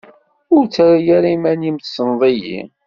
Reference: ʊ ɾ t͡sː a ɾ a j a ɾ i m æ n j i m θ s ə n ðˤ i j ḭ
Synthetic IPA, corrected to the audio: ʊ ɾ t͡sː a ɾ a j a ɾ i m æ n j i m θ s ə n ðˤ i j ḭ